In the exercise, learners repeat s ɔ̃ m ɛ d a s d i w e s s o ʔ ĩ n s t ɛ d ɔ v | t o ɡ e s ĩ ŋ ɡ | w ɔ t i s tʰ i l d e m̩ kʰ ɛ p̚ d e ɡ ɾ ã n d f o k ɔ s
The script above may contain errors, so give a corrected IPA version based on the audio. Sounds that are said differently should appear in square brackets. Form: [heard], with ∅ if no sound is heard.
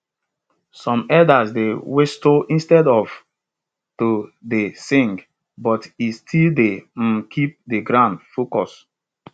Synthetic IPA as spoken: s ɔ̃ m ɛ d a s d [e] w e s [t] o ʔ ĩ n s t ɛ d ɔ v | t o [d] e s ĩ ŋ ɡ | [b] ɔ t i s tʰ i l d e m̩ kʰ [i] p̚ d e ɡ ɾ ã n d f o k ɔ s